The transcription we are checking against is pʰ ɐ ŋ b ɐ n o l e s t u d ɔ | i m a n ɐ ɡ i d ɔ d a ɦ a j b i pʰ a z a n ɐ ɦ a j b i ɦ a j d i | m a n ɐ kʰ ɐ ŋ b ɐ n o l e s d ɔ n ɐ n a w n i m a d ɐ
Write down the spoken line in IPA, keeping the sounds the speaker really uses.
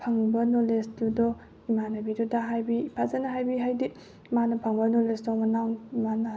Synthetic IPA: pʰ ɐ ŋ b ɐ n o l e s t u d ɔ | i m a n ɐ b i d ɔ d a ɦ a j b i pʰ a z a n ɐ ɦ a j b i ɦ a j d i | m a n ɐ pʰ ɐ ŋ b ɐ n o l e s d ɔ m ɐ n a w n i m a n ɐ